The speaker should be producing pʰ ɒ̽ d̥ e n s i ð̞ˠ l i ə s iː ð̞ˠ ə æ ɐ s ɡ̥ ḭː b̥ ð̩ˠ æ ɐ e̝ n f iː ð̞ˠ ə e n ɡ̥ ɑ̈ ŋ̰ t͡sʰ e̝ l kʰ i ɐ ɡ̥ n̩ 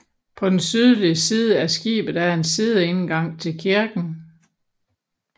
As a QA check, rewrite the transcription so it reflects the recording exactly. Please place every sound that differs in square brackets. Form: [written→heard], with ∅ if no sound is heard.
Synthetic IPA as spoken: pʰ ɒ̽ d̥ e n s [i→y] ð̞ˠ l i ə s iː ð̞ˠ ə æ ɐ s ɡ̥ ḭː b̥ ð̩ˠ æ ɐ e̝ n [f→s] iː ð̞ˠ ə e n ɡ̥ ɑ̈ ŋ̰ t͡sʰ e̝ l kʰ i ɐ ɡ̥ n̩